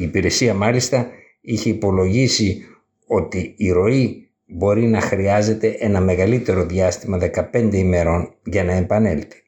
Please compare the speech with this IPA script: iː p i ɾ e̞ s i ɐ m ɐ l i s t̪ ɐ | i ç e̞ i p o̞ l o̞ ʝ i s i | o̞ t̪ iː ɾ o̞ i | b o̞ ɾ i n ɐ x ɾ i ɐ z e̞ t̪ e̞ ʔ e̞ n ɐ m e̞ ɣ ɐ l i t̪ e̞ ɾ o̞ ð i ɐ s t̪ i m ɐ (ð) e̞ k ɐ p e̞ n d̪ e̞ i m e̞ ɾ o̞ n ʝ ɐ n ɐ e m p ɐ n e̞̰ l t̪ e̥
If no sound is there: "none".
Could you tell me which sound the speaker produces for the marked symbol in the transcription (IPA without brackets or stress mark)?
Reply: ð